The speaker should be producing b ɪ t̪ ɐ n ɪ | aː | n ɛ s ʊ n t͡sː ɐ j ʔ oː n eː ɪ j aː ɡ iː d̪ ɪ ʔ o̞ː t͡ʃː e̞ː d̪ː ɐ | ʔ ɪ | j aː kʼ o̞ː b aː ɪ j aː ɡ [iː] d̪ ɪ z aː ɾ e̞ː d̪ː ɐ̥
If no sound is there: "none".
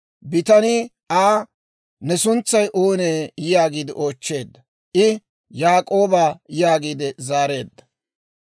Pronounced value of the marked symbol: iː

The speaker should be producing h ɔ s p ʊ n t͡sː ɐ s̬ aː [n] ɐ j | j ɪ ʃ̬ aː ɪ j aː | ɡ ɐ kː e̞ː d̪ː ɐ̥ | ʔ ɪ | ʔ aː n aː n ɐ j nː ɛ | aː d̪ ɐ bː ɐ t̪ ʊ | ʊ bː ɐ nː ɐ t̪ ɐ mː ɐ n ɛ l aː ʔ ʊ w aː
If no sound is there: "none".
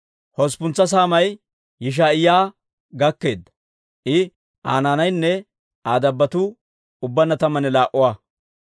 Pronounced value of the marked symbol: m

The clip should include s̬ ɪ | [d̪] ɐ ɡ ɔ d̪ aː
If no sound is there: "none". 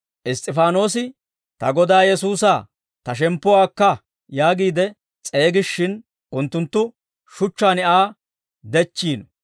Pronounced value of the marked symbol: t̪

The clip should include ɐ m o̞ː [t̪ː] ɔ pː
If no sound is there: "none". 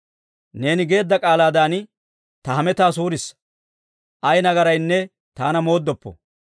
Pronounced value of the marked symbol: d̪ː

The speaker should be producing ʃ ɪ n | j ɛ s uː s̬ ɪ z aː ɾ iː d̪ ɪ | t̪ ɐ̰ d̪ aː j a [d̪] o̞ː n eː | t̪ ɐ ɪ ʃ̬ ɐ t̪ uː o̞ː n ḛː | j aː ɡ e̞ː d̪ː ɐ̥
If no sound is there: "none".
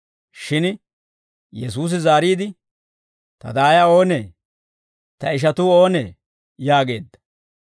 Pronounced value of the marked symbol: none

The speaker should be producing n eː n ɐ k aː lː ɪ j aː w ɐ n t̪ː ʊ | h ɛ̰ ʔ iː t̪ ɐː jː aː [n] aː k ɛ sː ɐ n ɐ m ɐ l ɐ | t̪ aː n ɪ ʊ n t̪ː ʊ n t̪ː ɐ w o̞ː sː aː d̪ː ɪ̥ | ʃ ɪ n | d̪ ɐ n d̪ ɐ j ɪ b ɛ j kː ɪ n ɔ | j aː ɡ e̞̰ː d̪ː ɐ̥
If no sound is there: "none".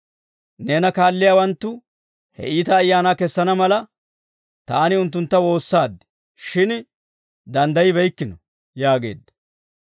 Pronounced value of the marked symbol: n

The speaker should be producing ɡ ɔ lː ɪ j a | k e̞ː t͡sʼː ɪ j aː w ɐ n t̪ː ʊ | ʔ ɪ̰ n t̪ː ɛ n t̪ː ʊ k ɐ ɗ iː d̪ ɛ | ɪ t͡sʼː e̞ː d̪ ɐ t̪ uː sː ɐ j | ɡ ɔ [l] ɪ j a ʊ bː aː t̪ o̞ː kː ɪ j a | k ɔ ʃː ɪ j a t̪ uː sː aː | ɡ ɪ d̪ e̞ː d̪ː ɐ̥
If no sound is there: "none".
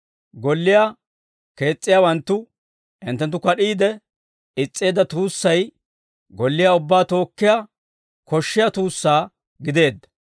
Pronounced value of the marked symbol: lː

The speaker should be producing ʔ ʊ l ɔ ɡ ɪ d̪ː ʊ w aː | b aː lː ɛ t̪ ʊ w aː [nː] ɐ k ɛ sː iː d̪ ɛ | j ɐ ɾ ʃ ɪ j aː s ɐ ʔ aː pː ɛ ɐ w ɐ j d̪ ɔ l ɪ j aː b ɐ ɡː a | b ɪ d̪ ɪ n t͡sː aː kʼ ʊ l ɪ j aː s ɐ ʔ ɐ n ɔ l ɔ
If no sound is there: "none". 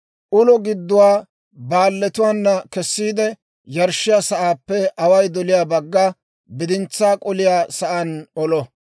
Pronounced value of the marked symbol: nː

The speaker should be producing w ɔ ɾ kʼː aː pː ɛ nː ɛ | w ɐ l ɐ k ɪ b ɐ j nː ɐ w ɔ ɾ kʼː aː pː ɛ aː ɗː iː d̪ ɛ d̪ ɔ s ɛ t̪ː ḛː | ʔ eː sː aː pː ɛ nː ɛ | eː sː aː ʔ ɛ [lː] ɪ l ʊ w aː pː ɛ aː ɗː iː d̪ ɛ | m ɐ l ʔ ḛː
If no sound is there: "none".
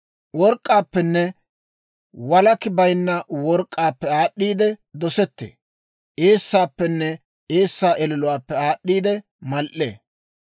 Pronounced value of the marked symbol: l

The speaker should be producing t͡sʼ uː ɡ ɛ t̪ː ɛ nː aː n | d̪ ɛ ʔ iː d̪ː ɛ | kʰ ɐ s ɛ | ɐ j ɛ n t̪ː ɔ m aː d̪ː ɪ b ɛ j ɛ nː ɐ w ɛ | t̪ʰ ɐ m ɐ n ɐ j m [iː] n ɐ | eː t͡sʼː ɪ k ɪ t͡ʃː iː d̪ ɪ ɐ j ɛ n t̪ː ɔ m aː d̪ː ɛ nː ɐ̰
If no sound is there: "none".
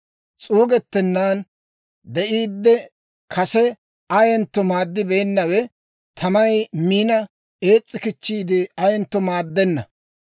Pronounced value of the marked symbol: iː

